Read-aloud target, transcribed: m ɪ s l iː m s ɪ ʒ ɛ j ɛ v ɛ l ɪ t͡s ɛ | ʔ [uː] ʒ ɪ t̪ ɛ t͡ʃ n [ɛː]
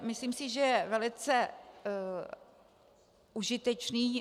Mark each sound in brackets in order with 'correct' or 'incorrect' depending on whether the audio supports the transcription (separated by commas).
incorrect, incorrect